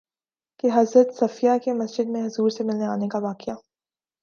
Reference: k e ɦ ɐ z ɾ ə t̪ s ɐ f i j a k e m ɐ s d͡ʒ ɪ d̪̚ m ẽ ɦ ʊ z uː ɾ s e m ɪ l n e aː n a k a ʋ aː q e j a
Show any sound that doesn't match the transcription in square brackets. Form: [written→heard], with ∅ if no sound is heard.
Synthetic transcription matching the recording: k e ɦ ɐ z ɾ ə t̪ s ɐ f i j a k e m ɐ s d͡ʒ ɪ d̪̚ m ẽ ɦ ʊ z uː ɾ s e m ɪ l n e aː n [a→e] k a ʋ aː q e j a

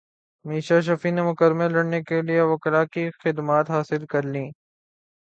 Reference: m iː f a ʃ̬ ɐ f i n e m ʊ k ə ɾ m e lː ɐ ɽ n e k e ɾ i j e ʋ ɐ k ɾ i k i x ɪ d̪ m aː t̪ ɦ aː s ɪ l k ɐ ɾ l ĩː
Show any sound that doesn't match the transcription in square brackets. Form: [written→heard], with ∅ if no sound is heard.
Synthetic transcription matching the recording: m iː [f→ʃ] a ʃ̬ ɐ f i n e m ʊ k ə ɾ m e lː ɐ ɽ n e k e [ɾ→l] i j e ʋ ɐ k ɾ [i→a] k i x ɪ d̪ m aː t̪ ɦ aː s ɪ l k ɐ ɾ l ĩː

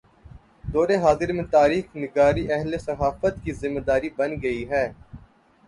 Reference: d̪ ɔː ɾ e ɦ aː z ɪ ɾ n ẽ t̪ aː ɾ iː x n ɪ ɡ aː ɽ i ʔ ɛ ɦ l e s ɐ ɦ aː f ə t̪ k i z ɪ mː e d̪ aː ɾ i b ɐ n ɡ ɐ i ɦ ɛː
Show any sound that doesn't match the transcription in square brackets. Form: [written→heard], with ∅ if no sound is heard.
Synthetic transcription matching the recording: d̪ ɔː ɾ e ɦ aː z ɪ ɾ [n→m] ẽ t̪ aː ɾ iː x n ɪ ɡ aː [ɽ→ɾ] i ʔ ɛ ɦ l e s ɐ ɦ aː f ə t̪ k i z ɪ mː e d̪ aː ɾ i b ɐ n ɡ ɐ i ɦ ɛː

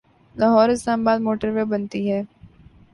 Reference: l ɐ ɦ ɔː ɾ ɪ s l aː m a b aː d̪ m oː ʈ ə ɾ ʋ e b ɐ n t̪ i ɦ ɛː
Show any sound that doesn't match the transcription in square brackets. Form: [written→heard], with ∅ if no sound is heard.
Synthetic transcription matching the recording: l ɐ ɦ ɔː ɾ ɪ s l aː m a b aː d̪ m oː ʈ ə ɾ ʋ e b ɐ n t̪ i ɦ ɛː

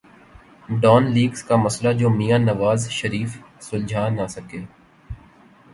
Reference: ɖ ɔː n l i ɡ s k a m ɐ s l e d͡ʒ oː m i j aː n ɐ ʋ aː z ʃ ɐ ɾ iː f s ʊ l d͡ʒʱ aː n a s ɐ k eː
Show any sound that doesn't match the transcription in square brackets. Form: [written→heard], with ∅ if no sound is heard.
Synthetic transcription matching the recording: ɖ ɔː n l [i→iː] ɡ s k a m ɐ s l [e→a] d͡ʒ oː m i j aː n ɐ ʋ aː z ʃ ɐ ɾ iː f s ʊ l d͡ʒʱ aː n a s ɐ k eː

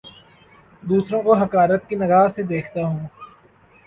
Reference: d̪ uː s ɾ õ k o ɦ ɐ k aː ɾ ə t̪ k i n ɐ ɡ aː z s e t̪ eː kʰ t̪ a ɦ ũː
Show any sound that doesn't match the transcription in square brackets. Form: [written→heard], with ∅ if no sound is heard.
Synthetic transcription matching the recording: d̪ uː s ɾ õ k o ɦ ɐ k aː ɾ ə t̪ k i n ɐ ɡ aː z s e [t̪→d̪] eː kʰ t̪ a ɦ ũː

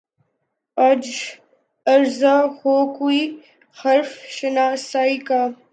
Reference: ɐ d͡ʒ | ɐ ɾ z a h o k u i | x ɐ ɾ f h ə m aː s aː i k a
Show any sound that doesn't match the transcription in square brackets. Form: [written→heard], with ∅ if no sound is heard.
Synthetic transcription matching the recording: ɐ d͡ʒ | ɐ ɾ z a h o k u i | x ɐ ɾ f [h→ʃ] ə [m→n] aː s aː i k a

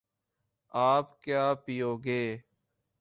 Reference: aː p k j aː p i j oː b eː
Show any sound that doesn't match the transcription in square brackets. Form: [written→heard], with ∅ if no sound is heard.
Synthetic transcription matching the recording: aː p k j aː p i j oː [b→ɡ] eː

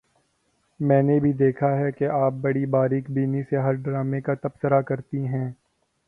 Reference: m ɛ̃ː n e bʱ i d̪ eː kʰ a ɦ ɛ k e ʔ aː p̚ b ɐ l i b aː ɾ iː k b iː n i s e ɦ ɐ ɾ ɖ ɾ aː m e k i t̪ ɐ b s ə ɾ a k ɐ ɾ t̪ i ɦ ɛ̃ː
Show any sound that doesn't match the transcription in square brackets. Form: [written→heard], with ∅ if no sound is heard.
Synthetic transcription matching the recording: m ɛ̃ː n e bʱ i d̪ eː kʰ a ɦ ɛ k e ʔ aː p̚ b ɐ [l→ɽ] i b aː ɾ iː k b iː n i s e ɦ ɐ ɾ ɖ ɾ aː m e k [i→a] t̪ ɐ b s ə ɾ a k ɐ ɾ t̪ i ɦ ɛ̃ː

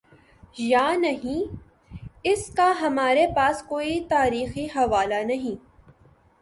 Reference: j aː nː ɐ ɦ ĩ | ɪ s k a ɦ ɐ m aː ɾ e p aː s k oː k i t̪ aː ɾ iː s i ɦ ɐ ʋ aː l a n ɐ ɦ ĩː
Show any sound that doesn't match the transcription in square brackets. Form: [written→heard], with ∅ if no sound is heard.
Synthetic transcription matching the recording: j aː [nː→n] ɐ ɦ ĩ | ɪ s k a ɦ ɐ m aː ɾ e p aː s k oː [k→∅] i t̪ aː ɾ iː [s→x] i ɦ ɐ ʋ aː l a n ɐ ɦ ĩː

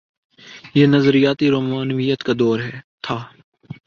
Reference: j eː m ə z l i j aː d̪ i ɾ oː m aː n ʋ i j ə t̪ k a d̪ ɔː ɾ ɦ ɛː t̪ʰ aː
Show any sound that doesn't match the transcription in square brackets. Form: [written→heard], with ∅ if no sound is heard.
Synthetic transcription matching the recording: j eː [m→n] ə z [l→ɾ] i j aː [d̪→t̪] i ɾ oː m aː n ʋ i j ə t̪ k a d̪ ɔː ɾ ɦ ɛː t̪ʰ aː

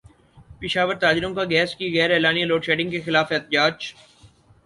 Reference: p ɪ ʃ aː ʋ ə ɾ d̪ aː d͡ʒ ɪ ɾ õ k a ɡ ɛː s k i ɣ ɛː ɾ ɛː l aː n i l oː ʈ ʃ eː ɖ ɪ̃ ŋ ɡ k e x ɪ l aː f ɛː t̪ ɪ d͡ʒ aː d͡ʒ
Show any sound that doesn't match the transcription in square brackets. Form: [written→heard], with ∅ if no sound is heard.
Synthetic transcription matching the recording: p ɪ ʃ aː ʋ ə ɾ [d̪→t̪] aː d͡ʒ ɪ ɾ õ k a ɡ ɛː s k i ɣ ɛː ɾ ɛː l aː n i l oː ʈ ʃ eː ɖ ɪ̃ ŋ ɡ k e x ɪ l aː f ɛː t̪ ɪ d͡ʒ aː d͡ʒ

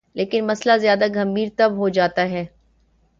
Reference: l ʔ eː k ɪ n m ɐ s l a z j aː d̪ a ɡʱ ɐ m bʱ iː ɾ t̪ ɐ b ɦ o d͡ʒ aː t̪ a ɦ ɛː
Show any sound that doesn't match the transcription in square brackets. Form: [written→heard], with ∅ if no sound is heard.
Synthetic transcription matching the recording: l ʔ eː k ɪ n m ɐ s l a z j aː d̪ a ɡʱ ɐ m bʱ iː ɾ t̪ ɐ b ɦ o d͡ʒ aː t̪ a ɦ ɛː

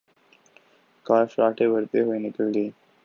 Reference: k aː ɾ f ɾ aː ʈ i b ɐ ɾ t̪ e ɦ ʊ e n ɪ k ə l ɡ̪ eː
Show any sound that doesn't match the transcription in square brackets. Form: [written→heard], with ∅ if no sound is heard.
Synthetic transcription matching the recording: k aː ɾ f ɾ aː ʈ [i→e] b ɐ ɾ t̪ e ɦ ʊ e n ɪ k ə l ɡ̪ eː

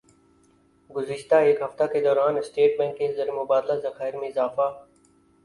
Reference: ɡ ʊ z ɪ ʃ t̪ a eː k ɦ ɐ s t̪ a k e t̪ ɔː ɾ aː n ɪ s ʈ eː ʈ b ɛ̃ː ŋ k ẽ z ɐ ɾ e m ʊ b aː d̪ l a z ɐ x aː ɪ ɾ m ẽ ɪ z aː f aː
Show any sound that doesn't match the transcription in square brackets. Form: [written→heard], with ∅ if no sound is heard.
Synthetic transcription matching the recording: ɡ ʊ z ɪ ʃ t̪ a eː k ɦ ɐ [s→f] t̪ a k e [t̪→d̪] ɔː ɾ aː n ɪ s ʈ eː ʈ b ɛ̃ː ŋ k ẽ z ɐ ɾ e m ʊ b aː d̪ l a z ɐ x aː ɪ ɾ m ẽ ɪ z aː f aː

